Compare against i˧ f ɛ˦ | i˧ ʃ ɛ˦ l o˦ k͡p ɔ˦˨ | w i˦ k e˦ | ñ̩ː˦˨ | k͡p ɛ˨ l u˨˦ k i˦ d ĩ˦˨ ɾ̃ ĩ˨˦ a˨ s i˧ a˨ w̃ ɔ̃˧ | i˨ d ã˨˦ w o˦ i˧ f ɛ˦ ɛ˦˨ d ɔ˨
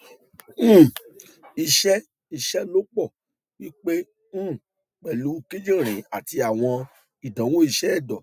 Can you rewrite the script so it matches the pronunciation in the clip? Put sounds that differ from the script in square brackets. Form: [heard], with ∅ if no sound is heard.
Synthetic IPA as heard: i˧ [ʃ] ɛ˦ | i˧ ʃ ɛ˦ l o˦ k͡p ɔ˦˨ | w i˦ [k͡p] e˦ | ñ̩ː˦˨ | k͡p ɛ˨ l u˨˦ k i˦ [d͡ʒ] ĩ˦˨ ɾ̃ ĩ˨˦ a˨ [t] i˧ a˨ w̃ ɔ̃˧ | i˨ d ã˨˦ w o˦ i˧ [ʃ] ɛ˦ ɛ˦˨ d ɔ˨